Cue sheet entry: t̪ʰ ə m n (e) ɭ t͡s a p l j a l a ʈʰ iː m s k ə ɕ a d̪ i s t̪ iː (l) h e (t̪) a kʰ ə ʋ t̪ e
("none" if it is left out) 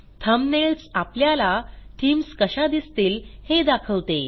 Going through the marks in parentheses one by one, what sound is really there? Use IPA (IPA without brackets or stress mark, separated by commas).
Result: e, l, d̪